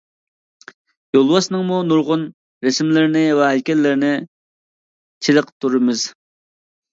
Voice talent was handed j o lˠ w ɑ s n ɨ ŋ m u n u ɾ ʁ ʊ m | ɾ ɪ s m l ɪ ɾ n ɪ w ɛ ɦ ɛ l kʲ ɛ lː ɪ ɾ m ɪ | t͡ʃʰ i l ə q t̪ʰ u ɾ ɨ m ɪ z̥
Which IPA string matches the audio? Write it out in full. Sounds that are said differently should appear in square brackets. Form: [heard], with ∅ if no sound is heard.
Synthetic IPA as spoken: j o lˠ w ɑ s n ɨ ŋ m u n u ɾ ʁ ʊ [n] | ɾ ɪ s m l ɪ ɾ n ɪ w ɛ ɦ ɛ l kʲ ɛ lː ɪ ɾ [n] ɪ | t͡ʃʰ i l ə q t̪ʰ u ɾ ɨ m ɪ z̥